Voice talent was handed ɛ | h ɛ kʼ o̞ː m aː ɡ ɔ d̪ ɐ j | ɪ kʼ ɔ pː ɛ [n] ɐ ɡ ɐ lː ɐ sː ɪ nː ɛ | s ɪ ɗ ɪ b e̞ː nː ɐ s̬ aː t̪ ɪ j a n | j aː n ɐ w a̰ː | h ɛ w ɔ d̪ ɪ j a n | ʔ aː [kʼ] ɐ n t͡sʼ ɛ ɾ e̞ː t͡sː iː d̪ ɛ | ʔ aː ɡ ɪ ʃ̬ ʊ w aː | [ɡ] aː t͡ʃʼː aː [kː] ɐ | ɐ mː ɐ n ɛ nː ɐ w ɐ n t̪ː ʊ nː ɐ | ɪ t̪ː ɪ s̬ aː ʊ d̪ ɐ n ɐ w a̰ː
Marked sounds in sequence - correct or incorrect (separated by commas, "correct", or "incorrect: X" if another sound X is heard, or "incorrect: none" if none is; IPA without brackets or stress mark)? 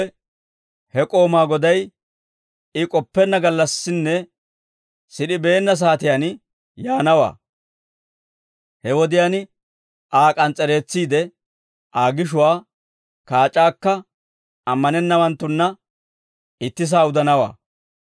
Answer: incorrect: nː, correct, incorrect: k, correct